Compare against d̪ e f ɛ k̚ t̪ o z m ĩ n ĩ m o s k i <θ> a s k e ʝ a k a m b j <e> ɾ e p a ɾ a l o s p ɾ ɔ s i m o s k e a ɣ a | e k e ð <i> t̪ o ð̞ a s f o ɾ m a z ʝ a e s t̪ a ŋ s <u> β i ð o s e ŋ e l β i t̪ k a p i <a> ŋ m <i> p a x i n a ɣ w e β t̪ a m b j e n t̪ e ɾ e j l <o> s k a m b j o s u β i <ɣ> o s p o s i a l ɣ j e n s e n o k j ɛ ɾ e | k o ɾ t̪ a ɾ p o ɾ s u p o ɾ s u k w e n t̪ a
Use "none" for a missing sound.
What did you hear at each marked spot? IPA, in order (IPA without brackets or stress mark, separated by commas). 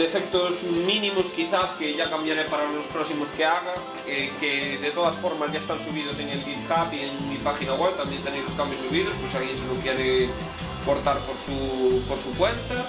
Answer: θ, a, e, u, e, i, o, ð